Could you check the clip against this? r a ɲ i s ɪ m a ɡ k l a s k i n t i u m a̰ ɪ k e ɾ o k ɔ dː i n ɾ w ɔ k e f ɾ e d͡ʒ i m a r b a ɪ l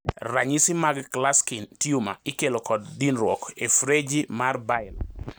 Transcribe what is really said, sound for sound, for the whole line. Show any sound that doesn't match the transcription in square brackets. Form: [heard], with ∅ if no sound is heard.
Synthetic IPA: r a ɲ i s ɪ m a ɡ k l a s k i n t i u m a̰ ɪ k e [l] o k ɔ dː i n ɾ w ɔ k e f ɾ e d͡ʒ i m a r b a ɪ l